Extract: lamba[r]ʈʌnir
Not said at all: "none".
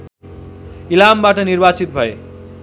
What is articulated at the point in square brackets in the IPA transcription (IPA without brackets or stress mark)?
none